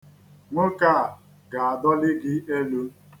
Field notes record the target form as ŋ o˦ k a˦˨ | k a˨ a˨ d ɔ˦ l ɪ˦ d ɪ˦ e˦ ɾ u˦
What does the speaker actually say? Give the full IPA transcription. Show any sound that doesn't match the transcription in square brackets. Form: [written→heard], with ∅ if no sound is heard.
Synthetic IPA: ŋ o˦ k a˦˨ | [k→ɡ] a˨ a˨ d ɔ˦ l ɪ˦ [d→ɡ] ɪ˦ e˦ [ɾ→l] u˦